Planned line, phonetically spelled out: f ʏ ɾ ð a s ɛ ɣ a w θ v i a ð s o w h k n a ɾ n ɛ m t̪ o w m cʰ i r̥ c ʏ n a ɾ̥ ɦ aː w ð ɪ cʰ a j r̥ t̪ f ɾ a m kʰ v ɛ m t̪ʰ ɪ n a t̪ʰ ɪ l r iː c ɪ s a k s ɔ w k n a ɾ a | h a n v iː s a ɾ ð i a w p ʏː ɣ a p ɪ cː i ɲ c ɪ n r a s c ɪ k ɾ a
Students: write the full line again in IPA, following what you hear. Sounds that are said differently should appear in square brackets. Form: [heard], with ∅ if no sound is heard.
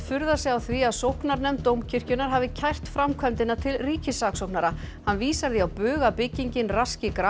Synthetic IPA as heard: f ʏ ɾ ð a s ɛ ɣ a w θ v i a ð s o w h k n a ɾ n ɛ m t̪ o w m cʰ [ɪ] r̥ c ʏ n a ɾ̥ ɦ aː [v] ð ɪ cʰ a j r̥ t̪ f ɾ a m kʰ v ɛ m [t̪] ɪ n a t̪ʰ ɪ l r iː c ɪ s a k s [o] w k n a ɾ a | h a n v iː s a ɾ ð i a w p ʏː ɣ a p ɪ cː i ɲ c ɪ n r a s c ɪ k ɾ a